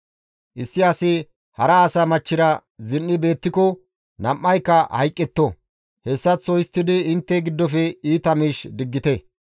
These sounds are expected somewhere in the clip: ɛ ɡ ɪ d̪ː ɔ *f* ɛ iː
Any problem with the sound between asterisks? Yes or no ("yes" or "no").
no